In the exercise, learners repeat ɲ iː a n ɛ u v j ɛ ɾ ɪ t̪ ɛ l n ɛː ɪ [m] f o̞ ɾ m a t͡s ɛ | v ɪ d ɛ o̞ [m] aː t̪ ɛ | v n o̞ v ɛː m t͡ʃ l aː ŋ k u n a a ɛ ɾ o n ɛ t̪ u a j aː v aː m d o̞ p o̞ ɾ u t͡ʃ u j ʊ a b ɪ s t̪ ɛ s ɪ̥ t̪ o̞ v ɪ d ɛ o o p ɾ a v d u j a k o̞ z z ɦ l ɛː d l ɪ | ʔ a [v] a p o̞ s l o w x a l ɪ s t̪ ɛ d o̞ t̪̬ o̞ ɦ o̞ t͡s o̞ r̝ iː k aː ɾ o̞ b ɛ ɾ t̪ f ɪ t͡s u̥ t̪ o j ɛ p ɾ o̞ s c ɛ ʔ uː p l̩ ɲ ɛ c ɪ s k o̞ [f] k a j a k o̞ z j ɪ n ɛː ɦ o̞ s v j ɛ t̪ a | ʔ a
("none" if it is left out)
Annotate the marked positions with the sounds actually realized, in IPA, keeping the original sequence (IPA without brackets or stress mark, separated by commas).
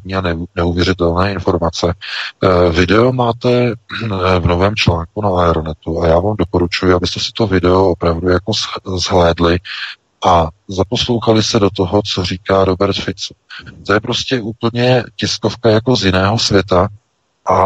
n, m, z, f